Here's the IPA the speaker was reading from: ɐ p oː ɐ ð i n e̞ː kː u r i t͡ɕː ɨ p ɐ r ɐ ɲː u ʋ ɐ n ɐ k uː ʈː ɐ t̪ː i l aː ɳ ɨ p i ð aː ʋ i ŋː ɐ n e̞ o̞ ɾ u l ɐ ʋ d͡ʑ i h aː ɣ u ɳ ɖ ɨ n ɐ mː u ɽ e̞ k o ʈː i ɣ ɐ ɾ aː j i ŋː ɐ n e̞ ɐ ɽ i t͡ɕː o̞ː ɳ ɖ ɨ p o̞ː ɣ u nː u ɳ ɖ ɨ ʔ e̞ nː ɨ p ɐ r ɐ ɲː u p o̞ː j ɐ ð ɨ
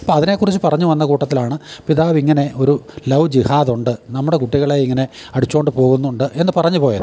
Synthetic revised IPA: ɐ p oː ɐ ð i n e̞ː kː u r i t͡ɕː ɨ p ɐ r ɐ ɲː u ʋ ɐ nː ɐ k uː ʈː ɐ t̪ː i l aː ɳ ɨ p i ð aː ʋ i ŋː ɐ n e̞ o̞ ɾ u l ɐ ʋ d͡ʑ i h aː ð u ɳ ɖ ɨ n ɐ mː u ɽ e̞ k u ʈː i ɣ ɐ ɭ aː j i ŋː ɐ n e̞ ɐ ɽ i t͡ɕː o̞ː ɳ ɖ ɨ p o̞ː ɣ u nː u ɳ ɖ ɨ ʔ e̞ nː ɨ p ɐ r ɐ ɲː u p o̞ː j ɐ ð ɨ